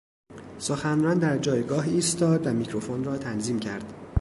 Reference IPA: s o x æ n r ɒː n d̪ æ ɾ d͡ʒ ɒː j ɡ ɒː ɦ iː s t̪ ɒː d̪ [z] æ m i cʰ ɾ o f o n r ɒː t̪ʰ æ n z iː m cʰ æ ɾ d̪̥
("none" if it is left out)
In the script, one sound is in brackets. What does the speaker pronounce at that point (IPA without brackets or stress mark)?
v